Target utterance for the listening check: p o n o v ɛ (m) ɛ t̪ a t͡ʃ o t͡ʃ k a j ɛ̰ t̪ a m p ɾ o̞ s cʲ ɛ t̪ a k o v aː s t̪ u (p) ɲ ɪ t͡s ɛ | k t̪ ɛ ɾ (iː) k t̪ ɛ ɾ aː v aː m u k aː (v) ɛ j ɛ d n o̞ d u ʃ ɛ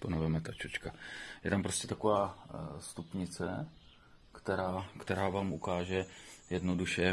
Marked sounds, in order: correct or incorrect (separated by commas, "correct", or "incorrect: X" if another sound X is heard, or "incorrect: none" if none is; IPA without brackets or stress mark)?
correct, correct, incorrect: aː, incorrect: ʒ